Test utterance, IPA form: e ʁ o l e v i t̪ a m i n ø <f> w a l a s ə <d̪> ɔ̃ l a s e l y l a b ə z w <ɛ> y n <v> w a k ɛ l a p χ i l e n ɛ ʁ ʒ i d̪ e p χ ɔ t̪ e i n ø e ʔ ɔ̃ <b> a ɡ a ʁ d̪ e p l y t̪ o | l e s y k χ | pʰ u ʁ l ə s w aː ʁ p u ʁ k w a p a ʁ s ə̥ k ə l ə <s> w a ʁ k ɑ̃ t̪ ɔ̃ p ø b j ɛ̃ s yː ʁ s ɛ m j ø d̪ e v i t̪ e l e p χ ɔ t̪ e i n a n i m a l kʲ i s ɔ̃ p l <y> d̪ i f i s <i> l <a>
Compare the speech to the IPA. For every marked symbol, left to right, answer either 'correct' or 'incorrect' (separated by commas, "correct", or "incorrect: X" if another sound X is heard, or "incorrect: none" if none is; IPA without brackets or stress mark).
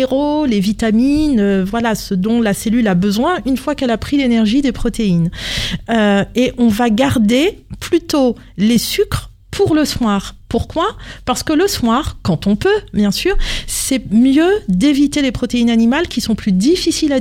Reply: incorrect: v, correct, incorrect: ɛ̃, incorrect: f, incorrect: v, correct, correct, correct, correct